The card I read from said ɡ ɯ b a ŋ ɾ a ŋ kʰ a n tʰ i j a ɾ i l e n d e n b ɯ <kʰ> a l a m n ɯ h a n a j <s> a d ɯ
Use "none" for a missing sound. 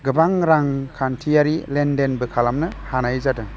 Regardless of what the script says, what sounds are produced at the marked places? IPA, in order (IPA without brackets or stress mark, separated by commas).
kʰ, z